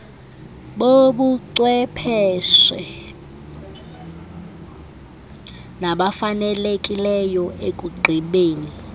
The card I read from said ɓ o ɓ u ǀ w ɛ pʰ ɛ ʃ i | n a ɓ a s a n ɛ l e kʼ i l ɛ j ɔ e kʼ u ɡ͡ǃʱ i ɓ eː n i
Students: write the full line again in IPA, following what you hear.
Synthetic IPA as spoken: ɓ o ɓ u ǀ w ɛ pʰ ɛ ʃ ɛ | n a ɓ a f a n ɛ l e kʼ i l ɛ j ɔ e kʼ u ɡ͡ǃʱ i ɓ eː n i